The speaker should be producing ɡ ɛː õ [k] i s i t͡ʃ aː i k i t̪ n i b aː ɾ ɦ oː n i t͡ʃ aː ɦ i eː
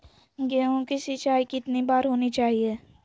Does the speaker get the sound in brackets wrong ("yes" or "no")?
no